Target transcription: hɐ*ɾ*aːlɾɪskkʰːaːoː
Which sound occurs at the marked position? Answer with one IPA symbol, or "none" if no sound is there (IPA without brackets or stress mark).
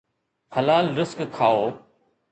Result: l